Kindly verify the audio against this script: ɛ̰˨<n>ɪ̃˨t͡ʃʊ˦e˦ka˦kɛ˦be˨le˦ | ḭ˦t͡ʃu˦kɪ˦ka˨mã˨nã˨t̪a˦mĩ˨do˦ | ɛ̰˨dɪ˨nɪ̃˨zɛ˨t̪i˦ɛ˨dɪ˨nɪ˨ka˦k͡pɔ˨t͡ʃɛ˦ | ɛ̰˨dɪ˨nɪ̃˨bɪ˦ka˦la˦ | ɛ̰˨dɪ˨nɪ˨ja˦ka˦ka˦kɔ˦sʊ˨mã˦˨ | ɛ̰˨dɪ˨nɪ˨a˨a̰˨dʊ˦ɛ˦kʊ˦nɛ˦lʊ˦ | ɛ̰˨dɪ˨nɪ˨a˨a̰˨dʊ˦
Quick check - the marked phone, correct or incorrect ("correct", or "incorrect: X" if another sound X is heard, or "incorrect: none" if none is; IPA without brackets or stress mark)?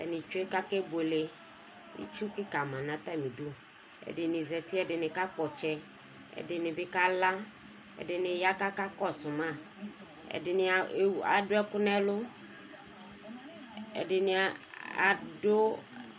correct